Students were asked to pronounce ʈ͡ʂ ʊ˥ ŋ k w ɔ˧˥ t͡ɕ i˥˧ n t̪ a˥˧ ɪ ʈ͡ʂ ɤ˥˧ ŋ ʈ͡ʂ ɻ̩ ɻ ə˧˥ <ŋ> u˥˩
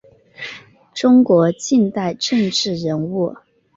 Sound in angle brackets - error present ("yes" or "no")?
yes